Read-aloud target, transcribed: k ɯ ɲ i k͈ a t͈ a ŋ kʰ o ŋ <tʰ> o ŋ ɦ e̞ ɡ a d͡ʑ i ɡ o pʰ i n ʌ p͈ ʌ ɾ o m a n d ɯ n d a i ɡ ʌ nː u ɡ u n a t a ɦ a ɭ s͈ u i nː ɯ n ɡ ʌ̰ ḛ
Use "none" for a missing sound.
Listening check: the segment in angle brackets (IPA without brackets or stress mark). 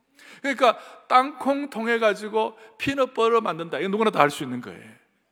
tʰ